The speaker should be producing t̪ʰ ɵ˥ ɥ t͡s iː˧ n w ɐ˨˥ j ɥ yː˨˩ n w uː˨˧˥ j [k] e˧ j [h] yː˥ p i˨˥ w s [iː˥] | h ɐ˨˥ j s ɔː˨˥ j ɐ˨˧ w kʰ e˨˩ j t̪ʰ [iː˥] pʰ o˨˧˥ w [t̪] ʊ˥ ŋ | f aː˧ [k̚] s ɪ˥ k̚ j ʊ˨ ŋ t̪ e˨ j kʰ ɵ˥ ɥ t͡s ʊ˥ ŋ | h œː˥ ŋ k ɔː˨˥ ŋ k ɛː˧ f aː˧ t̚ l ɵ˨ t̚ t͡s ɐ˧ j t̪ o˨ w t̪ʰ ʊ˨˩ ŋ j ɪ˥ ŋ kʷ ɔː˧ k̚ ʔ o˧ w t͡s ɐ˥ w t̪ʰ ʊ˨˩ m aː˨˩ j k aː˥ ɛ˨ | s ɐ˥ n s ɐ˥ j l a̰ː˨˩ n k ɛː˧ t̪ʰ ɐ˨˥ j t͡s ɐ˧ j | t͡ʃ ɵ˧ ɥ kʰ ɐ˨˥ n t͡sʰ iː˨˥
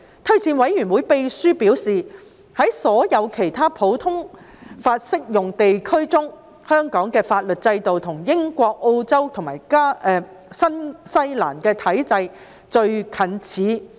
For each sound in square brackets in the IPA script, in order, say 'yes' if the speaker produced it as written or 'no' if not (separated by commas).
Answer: no, no, no, no, no, no